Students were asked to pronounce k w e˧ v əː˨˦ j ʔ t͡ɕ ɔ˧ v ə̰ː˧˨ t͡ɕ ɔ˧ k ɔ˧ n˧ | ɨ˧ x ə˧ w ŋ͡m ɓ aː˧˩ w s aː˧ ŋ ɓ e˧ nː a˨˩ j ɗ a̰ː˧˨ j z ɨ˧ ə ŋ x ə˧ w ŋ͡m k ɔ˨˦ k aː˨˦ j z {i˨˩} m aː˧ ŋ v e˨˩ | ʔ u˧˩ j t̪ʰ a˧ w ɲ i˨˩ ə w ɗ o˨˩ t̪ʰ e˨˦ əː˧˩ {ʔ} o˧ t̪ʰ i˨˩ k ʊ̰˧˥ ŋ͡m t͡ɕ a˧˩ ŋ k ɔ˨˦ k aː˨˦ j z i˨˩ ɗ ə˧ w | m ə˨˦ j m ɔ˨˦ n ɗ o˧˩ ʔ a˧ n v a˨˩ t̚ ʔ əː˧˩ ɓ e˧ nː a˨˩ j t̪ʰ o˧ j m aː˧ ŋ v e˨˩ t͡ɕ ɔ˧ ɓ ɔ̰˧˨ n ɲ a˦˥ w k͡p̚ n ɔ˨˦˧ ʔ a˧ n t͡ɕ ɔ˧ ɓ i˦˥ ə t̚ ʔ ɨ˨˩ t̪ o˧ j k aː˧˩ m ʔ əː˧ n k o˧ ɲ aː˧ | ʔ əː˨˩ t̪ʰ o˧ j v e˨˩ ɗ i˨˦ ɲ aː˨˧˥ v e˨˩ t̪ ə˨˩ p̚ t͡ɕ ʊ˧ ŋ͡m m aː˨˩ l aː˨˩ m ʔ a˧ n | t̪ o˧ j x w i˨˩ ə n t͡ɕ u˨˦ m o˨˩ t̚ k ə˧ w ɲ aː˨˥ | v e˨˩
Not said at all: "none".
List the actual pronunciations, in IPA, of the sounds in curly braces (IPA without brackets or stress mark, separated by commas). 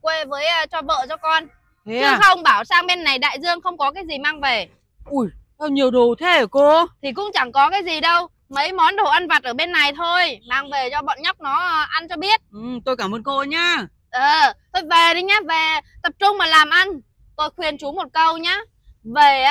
i˨˩, k